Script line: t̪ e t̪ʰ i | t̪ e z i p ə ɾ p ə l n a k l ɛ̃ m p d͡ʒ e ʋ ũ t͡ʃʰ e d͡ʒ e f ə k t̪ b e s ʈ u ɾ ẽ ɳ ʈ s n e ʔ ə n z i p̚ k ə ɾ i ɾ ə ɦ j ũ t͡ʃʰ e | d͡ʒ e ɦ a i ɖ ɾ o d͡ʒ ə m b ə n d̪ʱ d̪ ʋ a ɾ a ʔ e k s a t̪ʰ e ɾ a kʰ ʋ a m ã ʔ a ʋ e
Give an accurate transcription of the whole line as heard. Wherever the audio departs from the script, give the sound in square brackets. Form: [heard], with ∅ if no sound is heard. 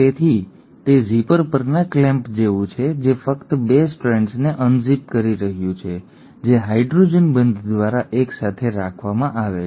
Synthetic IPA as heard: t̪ e t̪ʰ i | t̪ e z i p ə ɾ p ə [ɾ] n a k l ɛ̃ m p d͡ʒ e ʋ ũ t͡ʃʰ e d͡ʒ e f ə k t̪ b e s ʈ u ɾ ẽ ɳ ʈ s n e ʔ ə n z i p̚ k ə ɾ i ɾ ə ɦ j ũ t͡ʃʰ e | d͡ʒ e ɦ a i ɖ ɾ o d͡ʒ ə [n] b ə n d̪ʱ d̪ ʋ a ɾ a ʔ e k s a t̪ʰ e ɾ a kʰ ʋ a m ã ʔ a ʋ e